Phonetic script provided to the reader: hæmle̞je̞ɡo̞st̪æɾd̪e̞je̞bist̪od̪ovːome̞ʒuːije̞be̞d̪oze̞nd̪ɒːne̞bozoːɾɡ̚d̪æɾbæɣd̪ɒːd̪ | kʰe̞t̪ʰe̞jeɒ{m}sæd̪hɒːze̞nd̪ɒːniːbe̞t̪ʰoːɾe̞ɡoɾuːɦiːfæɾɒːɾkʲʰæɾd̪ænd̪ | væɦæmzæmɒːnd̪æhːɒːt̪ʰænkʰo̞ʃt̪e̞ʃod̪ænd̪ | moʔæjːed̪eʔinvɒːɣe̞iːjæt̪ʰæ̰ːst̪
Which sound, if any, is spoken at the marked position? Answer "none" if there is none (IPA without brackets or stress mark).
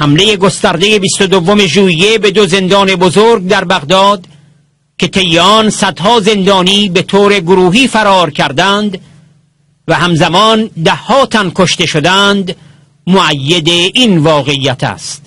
n